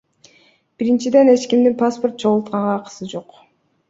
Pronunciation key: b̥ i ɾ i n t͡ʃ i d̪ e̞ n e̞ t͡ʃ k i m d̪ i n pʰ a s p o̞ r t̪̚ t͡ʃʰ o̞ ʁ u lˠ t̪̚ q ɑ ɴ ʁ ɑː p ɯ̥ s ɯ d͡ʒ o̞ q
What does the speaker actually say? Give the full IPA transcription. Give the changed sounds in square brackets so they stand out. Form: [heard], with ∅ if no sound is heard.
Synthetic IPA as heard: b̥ i ɾ i n t͡ʃ i d̪ e̞ n e̞ t͡ʃ k i m d̪ i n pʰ a s p o̞ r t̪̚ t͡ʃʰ o̞ ʁ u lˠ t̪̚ q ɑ ɴ ʁ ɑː [q] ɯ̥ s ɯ d͡ʒ o̞ q